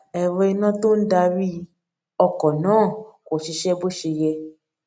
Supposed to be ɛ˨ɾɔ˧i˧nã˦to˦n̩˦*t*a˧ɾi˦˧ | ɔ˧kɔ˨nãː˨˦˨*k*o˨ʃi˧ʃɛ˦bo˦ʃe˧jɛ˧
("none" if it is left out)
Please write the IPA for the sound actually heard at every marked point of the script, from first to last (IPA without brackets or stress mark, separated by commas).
d, k